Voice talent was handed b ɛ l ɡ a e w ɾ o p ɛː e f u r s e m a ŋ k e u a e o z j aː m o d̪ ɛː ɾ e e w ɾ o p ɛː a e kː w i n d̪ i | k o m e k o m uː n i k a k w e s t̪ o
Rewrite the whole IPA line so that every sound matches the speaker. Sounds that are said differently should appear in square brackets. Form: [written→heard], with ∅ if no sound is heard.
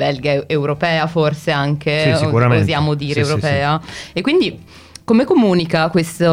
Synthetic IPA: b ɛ l ɡ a e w ɾ o p ɛː [e→a] f [u→o] r s e [m→∅] a ŋ k e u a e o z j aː m o d̪ [ɛː→iː] ɾ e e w ɾ o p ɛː a e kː w i n d̪ i | k o m e k o m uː n i k a k w e s t̪ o